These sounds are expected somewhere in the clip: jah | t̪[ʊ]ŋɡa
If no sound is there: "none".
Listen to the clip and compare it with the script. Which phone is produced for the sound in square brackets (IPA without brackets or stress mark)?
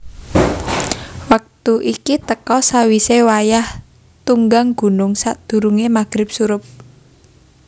u